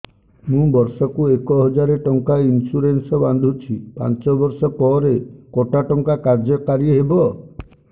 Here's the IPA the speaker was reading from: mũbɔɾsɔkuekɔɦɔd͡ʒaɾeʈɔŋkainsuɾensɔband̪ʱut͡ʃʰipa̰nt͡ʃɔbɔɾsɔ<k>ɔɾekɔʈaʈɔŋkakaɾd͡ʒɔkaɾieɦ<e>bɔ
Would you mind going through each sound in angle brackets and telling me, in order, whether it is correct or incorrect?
incorrect: p, correct

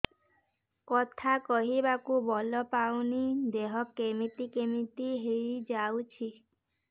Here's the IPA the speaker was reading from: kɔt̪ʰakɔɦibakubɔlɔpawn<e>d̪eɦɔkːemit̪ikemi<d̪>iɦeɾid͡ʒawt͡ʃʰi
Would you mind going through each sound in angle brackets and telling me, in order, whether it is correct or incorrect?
incorrect: i, incorrect: t̪

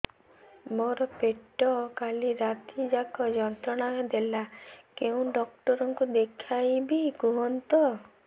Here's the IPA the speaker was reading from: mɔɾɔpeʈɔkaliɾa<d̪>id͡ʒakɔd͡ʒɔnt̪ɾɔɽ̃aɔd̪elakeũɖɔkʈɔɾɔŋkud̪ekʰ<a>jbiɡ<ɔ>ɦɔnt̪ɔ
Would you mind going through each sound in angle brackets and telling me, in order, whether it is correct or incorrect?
incorrect: t̪, correct, incorrect: u

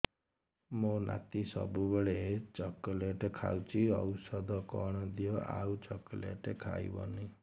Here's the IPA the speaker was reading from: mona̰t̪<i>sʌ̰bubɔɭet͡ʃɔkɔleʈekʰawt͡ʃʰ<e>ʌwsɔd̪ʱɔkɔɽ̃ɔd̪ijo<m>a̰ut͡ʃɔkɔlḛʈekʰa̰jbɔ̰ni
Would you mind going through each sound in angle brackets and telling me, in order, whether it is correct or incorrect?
correct, incorrect: i, incorrect: none

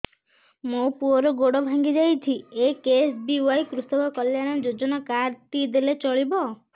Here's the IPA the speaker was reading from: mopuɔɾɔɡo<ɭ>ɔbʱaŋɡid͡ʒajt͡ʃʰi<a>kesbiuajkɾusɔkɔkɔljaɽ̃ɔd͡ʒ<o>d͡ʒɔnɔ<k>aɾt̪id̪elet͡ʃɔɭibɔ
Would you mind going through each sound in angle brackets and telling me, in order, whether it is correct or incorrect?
incorrect: ɽ, incorrect: e, correct, correct

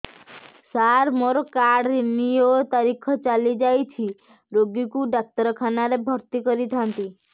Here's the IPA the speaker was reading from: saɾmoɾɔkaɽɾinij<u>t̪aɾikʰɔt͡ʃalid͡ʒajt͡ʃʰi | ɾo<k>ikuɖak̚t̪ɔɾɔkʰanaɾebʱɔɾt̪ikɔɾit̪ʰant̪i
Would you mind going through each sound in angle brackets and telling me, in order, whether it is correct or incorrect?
incorrect: o, incorrect: ɡ

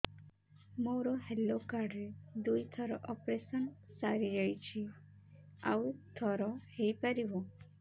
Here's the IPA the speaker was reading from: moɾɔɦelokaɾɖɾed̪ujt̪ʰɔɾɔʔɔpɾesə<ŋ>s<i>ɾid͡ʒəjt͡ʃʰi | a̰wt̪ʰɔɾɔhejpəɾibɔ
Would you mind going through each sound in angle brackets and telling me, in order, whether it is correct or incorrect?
incorrect: n, incorrect: a

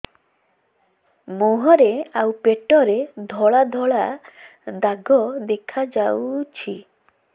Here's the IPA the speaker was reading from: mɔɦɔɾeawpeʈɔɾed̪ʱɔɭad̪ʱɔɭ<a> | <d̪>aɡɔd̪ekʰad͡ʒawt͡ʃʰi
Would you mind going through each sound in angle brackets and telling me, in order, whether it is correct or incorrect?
correct, correct

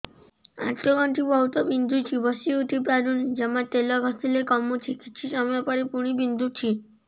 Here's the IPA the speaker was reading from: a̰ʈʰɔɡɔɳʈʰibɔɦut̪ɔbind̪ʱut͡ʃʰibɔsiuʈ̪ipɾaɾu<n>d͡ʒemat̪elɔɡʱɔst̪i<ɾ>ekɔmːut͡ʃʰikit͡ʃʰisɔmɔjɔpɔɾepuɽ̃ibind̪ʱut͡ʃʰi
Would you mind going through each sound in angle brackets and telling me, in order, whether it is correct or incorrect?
correct, incorrect: l

